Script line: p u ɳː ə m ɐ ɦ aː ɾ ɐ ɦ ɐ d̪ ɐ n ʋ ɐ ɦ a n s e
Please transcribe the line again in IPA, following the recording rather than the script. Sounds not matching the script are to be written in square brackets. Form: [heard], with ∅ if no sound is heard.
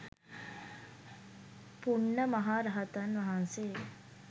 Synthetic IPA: p u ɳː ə m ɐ ɦ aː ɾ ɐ ɦ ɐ [t̪] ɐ n ʋ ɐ ɦ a n s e

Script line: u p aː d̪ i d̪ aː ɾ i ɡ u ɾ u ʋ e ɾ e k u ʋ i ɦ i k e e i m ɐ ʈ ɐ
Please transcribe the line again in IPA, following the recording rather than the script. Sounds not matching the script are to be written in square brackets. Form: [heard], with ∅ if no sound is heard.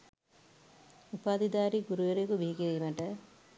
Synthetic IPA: u p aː d̪ i d̪ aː ɾ i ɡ u ɾ u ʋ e ɾ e k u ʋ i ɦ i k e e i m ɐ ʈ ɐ

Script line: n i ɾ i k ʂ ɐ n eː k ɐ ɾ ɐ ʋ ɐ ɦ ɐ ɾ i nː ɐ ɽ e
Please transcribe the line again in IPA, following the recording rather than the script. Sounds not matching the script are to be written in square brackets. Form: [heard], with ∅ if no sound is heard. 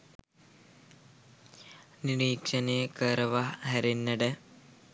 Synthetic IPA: n i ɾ [iː] k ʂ ɐ n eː k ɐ ɾ ɐ ʋ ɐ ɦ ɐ ɾ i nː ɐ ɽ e

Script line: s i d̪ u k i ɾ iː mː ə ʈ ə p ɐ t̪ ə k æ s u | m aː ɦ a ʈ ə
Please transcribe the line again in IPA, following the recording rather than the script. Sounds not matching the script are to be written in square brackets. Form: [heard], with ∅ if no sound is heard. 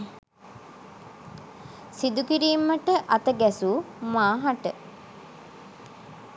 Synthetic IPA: s i d̪ u k i ɾ iː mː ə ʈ ə [ʔ] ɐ t̪ ə [ɡ] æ s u | m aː ɦ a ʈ ə

